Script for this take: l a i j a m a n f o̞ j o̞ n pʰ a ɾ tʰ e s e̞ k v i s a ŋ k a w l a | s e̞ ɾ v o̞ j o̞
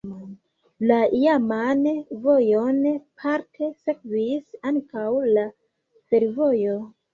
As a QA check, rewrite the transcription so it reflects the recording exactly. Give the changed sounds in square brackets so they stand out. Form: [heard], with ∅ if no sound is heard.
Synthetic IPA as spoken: l a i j a m a n [v] o̞ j o̞ n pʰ a ɾ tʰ e s e̞ k v i s a ŋ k a w l a | [f] e̞ ɾ v o̞ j o̞